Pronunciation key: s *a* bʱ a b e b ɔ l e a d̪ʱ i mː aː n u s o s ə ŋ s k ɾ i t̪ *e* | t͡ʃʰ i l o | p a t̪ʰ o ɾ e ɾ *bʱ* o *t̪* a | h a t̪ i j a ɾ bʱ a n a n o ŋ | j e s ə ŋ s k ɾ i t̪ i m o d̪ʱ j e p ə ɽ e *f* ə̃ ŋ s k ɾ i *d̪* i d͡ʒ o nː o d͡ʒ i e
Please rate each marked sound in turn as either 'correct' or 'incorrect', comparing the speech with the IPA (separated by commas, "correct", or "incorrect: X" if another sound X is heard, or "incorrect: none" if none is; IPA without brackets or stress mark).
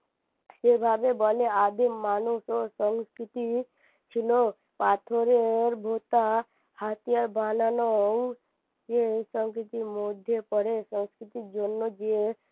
incorrect: e, incorrect: i, correct, correct, incorrect: s, incorrect: t̪